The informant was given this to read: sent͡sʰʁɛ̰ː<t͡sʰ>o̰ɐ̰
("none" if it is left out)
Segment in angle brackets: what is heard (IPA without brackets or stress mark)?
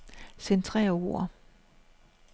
none